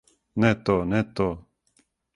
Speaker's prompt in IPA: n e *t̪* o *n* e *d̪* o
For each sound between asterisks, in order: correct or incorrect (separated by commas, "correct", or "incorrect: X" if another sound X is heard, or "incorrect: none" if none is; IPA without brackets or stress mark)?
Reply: correct, correct, incorrect: t̪